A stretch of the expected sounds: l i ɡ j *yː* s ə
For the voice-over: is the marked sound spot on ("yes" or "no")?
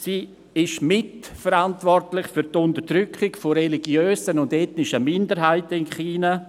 no